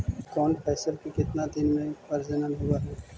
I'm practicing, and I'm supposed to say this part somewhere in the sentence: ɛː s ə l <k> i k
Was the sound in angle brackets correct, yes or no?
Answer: yes